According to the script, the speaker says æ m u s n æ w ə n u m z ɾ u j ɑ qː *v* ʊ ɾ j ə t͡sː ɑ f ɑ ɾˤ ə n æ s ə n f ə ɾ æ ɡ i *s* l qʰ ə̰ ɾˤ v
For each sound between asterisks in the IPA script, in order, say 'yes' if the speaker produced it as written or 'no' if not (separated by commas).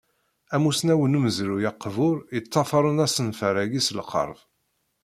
yes, yes